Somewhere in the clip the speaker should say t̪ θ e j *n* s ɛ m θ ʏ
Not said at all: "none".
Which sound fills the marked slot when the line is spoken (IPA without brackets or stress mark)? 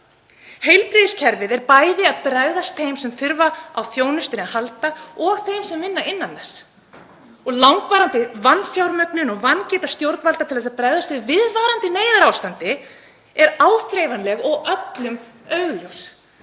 m